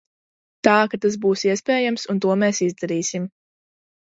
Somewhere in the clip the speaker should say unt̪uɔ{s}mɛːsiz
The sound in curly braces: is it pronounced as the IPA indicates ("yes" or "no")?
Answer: no